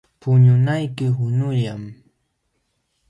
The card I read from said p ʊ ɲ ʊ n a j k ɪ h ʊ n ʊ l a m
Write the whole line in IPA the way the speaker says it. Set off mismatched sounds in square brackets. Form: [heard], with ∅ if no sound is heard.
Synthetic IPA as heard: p ʊ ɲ ʊ n a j k ɪ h ʊ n ʊ [ʎ] a m